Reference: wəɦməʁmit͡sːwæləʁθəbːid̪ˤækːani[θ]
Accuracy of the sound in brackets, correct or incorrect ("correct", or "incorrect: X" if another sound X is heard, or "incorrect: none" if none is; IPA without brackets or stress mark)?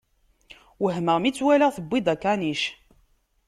incorrect: ʃ